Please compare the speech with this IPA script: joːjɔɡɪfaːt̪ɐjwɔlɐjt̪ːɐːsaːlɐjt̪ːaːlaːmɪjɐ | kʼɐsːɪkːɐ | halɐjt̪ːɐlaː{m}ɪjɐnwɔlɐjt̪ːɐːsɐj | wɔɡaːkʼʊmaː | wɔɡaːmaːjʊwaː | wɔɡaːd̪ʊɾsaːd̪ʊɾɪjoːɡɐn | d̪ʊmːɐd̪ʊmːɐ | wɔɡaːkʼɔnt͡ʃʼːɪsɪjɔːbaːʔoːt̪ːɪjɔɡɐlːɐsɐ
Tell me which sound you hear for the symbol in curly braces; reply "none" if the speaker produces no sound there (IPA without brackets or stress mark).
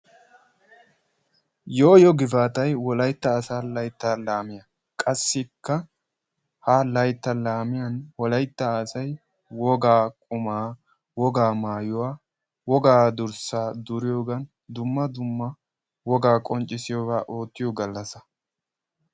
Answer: m